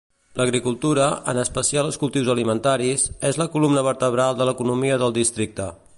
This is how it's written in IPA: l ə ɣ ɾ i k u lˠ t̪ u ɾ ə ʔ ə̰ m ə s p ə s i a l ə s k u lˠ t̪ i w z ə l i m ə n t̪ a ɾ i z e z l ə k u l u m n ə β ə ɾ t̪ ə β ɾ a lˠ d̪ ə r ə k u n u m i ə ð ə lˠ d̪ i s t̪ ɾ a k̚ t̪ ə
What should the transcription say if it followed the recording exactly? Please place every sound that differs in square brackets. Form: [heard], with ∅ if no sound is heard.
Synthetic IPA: l ə ɣ ɾ i k u lˠ t̪ u ɾ ə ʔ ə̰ [n] ə s p ə s i a l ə s k u lˠ t̪ i w z ə l i m ə n t̪ a ɾ i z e z l ə k u l u m n ə β ə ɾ t̪ ə β ɾ a lˠ d̪ ə [l] ə k u n u m i ə ð ə lˠ d̪ i s t̪ ɾ [i] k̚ t̪ ə